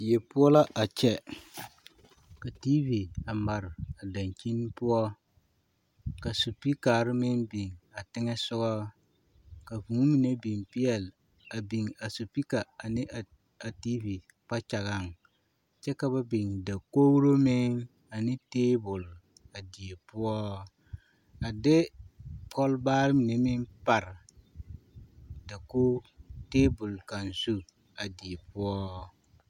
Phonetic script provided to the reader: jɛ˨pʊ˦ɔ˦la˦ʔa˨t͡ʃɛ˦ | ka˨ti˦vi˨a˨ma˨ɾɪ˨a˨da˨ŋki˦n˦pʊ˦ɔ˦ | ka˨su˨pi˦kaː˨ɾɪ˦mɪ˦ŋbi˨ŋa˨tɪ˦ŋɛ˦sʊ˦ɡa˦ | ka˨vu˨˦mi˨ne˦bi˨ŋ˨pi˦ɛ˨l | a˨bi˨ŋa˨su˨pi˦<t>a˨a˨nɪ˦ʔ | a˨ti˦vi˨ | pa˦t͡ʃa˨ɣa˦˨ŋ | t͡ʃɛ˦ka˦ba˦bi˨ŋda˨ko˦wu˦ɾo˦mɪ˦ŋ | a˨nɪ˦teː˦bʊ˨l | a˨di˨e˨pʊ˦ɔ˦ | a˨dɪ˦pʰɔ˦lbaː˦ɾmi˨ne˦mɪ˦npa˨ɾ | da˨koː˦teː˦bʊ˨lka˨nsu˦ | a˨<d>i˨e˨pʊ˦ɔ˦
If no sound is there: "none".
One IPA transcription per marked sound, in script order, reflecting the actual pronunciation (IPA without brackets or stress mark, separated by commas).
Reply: k, d